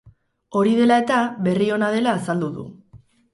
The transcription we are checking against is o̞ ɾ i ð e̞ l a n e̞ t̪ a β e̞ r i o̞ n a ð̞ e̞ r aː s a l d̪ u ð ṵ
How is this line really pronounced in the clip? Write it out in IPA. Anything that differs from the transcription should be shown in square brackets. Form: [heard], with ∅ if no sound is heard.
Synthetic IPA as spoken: o̞ ɾ i ð e̞ l a [∅] e̞ t̪ a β e̞ r i o̞ n a ð̞ e̞ [l] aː s a l d̪ u ð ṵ